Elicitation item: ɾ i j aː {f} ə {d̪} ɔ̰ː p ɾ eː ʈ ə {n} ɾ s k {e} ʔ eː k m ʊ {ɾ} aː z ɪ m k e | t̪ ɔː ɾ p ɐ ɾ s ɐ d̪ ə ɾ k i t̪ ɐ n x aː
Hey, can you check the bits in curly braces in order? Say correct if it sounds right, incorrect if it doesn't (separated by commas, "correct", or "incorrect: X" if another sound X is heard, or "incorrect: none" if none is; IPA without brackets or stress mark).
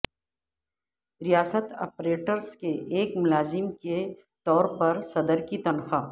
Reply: incorrect: s, incorrect: t̪, incorrect: none, correct, incorrect: l